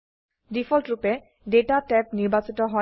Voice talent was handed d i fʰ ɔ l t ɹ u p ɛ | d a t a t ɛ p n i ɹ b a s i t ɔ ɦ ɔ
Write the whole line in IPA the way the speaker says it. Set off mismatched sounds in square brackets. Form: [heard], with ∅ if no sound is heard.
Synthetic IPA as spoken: d i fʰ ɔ l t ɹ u p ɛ | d [e] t a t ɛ p n i ɹ b a s i t ɔ ɦ ɔ